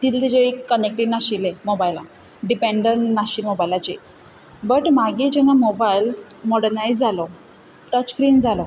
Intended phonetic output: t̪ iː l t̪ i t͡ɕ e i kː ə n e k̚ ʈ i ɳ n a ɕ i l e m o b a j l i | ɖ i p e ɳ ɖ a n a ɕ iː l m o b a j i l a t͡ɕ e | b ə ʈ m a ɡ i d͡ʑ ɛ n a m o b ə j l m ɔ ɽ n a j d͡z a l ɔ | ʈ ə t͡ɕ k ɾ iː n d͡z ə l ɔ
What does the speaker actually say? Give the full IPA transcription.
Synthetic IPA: t̪ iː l t̪ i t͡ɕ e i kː ə n e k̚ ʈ i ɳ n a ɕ i l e m o b a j l a | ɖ i p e ɳ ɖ ə n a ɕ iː l m o b a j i l a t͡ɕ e | b ə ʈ m a ɡ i d͡ʑ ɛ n a m o b a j l m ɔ ɽ n a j d͡z a l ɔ | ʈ ə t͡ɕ k ɾ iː n d͡z a l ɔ